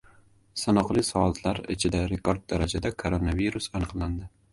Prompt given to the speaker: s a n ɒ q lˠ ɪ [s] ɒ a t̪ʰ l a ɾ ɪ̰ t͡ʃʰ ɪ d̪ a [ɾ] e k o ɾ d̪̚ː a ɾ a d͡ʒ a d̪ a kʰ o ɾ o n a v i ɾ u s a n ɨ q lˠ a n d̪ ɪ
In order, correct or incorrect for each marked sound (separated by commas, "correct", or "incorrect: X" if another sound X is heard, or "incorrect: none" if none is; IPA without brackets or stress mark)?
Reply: correct, correct